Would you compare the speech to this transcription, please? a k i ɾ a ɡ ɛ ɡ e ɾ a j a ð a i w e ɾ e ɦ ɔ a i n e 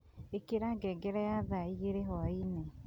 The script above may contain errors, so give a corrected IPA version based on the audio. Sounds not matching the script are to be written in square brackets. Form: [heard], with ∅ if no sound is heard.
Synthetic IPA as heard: [e] k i ɾ a ɡ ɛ ɡ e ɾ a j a ð a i [ɣ] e ɾ e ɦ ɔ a i n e

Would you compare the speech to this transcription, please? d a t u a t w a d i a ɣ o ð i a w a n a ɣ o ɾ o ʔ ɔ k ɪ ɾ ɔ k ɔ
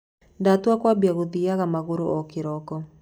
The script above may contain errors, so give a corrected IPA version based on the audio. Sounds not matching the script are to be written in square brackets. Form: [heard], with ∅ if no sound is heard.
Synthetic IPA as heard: d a t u a [k] w a [b] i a ɣ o ð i a [ɣ] a [m] a ɣ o ɾ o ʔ ɔ k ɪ ɾ ɔ k ɔ

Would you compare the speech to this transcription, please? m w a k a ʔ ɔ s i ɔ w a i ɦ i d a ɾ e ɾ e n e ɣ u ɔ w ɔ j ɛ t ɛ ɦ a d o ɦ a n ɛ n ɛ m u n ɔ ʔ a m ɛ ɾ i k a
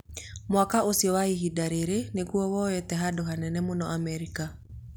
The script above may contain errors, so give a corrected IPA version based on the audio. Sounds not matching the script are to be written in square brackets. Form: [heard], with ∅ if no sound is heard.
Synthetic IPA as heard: m w a k a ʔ [o] s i ɔ w a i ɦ i d a ɾ e ɾ e n e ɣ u ɔ w ɔ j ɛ t ɛ ɦ a d o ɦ a n ɛ n ɛ m [o] n ɔ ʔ a m ɛ ɾ i k a

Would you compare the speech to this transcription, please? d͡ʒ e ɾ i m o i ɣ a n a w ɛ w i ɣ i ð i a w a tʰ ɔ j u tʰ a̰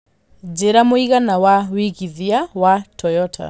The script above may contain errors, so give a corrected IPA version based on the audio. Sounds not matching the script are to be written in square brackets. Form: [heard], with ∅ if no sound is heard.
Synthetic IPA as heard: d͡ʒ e ɾ [a] m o i ɣ a n a w [a] w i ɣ i ð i a w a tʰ ɔ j [ɔ] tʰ a̰

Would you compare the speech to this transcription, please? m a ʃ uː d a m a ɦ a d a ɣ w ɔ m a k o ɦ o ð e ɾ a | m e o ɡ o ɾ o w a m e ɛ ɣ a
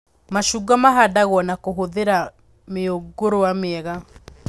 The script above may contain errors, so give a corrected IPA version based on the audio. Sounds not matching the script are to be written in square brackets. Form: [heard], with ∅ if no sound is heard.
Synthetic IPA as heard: m a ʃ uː [ɡ] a m a ɦ a d a ɣ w ɔ [n] a k o ɦ o ð e ɾ a | m e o ɡ o ɾ o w a m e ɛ ɣ a

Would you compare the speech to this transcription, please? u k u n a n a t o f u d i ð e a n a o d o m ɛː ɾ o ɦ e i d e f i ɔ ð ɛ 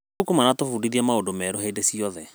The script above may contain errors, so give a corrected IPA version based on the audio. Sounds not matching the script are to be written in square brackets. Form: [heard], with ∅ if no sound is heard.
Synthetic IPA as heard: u k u [m] a n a t o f u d i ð [i] a [m] a o d o m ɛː ɾ o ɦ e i d e [s] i ɔ ð ɛ

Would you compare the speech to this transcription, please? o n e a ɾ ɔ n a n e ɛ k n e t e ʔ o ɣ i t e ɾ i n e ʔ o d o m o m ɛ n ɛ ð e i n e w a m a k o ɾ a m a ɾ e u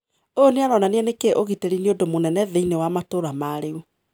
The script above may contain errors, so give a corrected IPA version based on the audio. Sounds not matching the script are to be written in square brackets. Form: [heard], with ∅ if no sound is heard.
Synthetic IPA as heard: o n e a ɾ ɔ n a n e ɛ [∅] n e [k] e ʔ o ɣ i t e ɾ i n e [∅] o d o m o [n] ɛ n ɛ ð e i n e w a m a [t] o ɾ a m a ɾ e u

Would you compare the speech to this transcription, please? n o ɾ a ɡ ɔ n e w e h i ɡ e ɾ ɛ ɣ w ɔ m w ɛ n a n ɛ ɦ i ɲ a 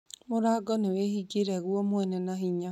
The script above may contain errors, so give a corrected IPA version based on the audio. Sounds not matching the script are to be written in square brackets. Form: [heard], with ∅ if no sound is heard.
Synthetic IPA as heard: [m] o ɾ a ɡ ɔ n e w e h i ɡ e ɾ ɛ ɣ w ɔ m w ɛ n [ɛ] n [a] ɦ i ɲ a

